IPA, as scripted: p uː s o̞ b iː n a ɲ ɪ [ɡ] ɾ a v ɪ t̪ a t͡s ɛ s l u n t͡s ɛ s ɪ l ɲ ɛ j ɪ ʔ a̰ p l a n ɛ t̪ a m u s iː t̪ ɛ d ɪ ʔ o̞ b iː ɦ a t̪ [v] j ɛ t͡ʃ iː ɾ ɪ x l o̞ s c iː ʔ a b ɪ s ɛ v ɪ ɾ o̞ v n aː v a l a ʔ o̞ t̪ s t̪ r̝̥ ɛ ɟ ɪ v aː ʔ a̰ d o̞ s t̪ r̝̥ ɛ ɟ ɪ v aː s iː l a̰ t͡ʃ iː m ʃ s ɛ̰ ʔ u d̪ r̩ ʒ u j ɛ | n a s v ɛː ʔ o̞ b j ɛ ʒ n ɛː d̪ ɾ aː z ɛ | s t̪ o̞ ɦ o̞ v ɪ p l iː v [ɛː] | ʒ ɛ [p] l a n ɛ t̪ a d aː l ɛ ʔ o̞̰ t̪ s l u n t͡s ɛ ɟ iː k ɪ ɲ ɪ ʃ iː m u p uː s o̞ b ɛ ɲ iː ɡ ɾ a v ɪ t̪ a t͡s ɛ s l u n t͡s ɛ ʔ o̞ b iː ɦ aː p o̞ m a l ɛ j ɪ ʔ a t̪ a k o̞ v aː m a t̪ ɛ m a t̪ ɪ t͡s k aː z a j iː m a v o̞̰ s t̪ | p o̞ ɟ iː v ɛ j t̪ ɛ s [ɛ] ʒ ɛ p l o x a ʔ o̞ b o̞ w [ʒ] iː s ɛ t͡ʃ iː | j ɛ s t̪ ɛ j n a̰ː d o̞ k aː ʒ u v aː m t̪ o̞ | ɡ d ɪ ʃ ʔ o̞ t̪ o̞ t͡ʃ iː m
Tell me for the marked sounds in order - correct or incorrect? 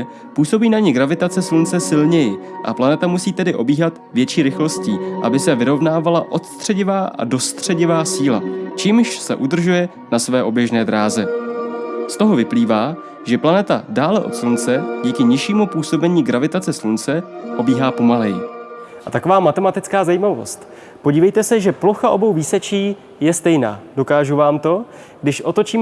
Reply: correct, correct, incorrect, correct, correct, incorrect

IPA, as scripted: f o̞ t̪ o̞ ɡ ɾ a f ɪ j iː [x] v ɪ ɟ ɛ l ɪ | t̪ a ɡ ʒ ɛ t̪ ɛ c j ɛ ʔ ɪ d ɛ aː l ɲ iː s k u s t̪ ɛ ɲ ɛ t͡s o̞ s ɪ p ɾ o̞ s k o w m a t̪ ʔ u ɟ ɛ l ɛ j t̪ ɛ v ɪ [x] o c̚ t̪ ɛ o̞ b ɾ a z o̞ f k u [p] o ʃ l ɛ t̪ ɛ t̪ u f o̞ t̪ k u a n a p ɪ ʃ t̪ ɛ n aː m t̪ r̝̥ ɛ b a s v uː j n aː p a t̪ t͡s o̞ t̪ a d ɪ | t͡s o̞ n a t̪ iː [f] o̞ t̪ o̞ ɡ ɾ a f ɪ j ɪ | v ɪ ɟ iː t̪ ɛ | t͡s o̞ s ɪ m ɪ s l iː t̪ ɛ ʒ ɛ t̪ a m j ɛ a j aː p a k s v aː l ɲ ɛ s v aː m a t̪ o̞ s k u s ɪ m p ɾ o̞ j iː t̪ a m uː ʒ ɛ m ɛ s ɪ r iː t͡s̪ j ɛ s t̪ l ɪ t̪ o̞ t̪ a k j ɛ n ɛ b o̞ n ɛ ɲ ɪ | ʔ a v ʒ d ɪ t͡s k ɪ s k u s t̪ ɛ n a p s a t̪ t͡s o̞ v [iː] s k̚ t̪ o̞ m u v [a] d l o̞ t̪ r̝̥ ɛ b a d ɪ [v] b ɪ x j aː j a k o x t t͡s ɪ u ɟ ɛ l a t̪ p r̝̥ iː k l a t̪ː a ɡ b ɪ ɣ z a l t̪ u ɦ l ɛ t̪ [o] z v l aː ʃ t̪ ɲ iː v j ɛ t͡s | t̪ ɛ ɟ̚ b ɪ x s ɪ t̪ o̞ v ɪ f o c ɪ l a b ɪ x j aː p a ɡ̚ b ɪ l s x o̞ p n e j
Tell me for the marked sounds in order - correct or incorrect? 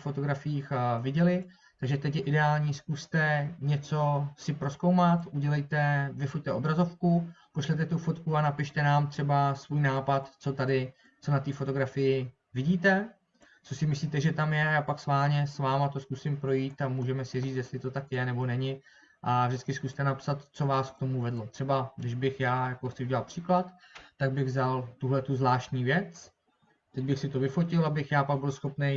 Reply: correct, incorrect, correct, correct, incorrect, incorrect, incorrect, incorrect

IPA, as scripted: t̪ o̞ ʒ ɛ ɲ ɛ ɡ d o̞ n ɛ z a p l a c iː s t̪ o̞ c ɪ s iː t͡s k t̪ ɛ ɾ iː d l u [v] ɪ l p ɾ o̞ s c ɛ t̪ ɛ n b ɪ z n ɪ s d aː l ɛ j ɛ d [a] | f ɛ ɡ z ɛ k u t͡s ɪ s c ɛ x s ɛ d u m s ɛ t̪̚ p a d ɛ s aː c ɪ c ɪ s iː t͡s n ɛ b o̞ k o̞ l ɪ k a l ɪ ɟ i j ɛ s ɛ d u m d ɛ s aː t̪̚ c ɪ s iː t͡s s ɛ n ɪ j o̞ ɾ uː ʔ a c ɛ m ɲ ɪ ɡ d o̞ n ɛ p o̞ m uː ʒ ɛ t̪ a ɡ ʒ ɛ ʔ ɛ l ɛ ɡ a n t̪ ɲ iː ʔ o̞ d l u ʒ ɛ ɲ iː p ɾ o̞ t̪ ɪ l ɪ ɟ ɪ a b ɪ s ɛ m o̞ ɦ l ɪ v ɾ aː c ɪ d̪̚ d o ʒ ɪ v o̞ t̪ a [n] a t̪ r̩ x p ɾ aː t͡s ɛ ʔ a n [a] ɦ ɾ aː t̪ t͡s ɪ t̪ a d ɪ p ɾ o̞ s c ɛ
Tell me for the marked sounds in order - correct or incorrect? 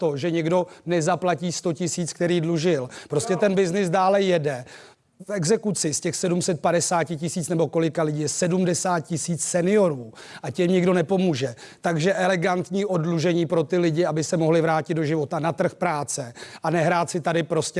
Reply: incorrect, incorrect, correct, incorrect

